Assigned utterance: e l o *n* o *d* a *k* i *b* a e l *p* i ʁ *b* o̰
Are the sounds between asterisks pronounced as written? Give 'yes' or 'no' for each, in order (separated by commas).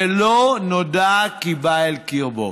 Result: yes, yes, yes, yes, no, yes